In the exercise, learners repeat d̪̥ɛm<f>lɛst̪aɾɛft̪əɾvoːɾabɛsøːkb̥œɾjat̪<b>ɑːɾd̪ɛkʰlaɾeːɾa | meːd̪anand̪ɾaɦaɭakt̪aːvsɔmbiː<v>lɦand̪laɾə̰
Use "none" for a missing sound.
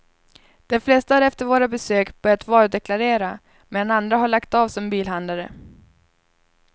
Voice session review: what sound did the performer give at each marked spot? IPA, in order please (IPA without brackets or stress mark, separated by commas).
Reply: f, v, none